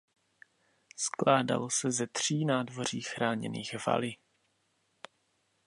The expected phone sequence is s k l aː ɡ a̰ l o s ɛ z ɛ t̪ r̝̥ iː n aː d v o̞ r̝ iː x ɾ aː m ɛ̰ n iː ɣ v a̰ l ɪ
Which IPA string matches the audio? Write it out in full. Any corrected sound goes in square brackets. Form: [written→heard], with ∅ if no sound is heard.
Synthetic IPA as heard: s k l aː [ɡ→d] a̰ l o s ɛ z ɛ t̪ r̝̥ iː n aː d v o̞ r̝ iː x ɾ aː [m→ɲ] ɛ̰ n iː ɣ v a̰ l ɪ

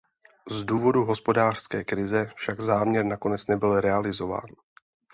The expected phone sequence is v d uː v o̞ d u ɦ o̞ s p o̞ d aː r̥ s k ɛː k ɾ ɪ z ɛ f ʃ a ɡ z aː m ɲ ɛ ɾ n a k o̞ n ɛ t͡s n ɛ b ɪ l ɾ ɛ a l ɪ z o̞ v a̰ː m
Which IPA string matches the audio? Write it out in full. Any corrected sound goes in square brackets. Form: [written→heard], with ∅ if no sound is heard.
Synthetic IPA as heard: [v→z] d uː v o̞ d u ɦ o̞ s p o̞ d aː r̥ s k ɛː k ɾ ɪ z ɛ f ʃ a ɡ z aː m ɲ ɛ ɾ n a k o̞ n ɛ t͡s n ɛ b ɪ l ɾ ɛ a l ɪ z o̞ v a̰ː [m→n]

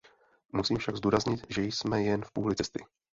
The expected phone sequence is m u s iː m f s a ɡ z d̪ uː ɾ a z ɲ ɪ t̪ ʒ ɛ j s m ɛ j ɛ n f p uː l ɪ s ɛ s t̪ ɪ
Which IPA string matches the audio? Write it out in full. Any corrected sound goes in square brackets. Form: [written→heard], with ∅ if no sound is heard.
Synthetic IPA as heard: m u s iː m f [s→ʃ] a ɡ z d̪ uː ɾ a z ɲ ɪ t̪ ʒ ɛ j s m ɛ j ɛ n f p uː l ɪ [s→t͡s] ɛ s t̪ ɪ

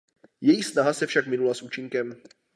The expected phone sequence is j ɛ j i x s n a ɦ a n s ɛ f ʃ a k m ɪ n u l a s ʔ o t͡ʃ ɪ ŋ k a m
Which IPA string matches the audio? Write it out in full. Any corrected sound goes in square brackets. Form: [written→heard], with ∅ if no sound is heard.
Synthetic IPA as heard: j ɛ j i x s n a ɦ a [n→∅] s ɛ f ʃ a k m ɪ n u l a s ʔ [o→u] t͡ʃ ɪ ŋ k [a→ɛ] m

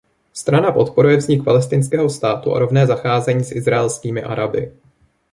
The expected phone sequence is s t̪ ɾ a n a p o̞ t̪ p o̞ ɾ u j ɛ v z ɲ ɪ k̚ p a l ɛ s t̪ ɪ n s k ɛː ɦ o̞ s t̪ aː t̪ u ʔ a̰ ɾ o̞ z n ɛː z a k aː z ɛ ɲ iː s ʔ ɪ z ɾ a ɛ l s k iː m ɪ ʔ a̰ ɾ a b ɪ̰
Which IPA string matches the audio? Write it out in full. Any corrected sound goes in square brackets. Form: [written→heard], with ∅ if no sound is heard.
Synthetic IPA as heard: s t̪ ɾ a n a p o̞ t̪ p o̞ ɾ u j ɛ v z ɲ ɪ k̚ p a l ɛ s t̪ ɪ n s k ɛː ɦ o̞ s t̪ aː t̪ u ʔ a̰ ɾ o̞ [z→v] n ɛː z a [k→x] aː z ɛ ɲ iː s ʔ ɪ z ɾ a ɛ l s k iː m ɪ ʔ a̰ ɾ a b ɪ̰

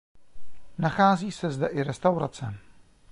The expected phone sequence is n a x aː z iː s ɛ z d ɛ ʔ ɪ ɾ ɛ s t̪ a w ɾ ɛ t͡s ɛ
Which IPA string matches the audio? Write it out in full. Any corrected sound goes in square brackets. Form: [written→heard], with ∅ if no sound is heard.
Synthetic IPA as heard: n a x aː z iː s ɛ z d ɛ ʔ ɪ ɾ ɛ s t̪ a w ɾ [ɛ→a] t͡s ɛ

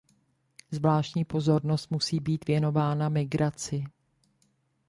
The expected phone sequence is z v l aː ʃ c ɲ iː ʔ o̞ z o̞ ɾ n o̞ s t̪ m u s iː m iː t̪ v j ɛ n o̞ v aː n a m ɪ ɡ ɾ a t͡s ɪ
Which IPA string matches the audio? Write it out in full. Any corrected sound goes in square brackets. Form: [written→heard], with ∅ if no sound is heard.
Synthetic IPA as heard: z v l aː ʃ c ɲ iː [ʔ→p] o̞ z o̞ ɾ n o̞ s t̪ m u s iː [m→b] iː t̪ v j ɛ n o̞ v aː n a m ɪ ɡ ɾ a t͡s ɪ

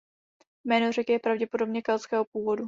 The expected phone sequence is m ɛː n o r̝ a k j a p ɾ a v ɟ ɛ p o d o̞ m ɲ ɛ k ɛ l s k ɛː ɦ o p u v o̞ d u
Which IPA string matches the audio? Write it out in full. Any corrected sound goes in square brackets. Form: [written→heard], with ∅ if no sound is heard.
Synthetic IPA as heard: m ɛː n o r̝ [a→ɛ] k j [a→ɛ] p ɾ a v ɟ ɛ p o d o̞ [m→b] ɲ ɛ k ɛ l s k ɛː ɦ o p [u→uː] v o̞ d u

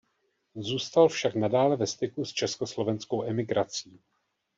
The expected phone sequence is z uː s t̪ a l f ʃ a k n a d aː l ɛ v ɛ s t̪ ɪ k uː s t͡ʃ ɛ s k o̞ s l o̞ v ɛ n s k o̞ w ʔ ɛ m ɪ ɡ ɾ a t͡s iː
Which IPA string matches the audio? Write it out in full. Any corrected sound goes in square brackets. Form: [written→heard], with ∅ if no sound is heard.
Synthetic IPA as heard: z uː s t̪ a l f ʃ a k n a d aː l ɛ v ɛ s t̪ ɪ k [uː→u] s t͡ʃ ɛ s k o̞ s l o̞ v ɛ n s k o̞ w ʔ ɛ m ɪ ɡ ɾ a t͡s iː

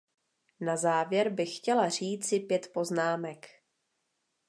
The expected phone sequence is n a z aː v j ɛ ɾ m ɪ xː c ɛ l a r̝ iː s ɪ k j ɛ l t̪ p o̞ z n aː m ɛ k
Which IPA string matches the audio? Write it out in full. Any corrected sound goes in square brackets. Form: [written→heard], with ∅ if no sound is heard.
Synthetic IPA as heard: n a z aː v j ɛ ɾ [m→b] ɪ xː c ɛ l a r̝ iː [s→t͡s] ɪ [k→p] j ɛ [l→∅] t̪ p o̞ z n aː m ɛ k

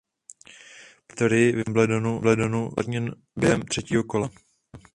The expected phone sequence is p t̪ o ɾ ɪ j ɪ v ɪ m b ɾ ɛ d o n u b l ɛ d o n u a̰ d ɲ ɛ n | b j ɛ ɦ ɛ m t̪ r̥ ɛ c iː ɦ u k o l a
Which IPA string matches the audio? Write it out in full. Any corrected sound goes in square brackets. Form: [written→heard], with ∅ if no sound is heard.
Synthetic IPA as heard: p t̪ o ɾ ɪ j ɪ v ɪ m b [ɾ→l] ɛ d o n u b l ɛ d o n u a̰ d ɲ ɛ n | b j ɛ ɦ ɛ m t̪ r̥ ɛ c iː ɦ [u→o] k o l a

